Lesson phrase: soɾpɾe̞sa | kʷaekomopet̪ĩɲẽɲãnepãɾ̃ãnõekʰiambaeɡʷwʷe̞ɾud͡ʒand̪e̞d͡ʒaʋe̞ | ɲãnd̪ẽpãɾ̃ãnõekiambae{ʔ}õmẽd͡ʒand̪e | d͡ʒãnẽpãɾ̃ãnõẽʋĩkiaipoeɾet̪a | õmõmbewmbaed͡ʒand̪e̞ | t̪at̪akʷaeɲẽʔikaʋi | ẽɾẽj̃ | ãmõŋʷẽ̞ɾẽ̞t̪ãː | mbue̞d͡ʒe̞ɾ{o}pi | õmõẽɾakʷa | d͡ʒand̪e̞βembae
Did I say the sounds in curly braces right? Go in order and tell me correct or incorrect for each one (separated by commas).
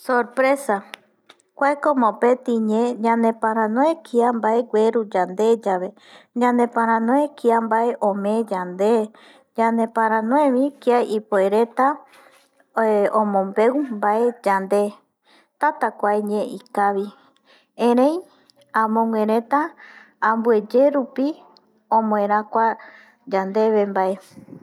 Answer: correct, incorrect